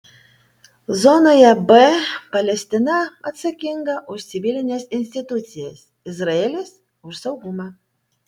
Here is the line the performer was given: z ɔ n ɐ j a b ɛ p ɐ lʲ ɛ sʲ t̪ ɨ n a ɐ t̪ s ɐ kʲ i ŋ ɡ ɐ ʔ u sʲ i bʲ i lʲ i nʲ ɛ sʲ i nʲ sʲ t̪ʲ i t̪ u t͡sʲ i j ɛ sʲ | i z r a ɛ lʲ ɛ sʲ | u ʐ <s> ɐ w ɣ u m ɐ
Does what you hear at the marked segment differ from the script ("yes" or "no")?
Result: no